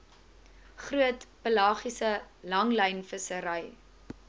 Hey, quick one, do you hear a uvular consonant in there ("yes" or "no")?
yes